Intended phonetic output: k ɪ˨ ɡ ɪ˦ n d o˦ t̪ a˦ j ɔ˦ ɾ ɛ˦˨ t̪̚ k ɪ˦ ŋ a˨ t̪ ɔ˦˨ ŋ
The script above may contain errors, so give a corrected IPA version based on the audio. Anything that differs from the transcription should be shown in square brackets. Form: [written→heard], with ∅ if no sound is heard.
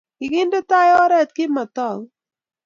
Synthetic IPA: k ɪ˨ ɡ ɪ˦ n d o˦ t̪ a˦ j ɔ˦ ɾ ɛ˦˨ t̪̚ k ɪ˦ [ŋ→m] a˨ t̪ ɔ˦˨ ŋ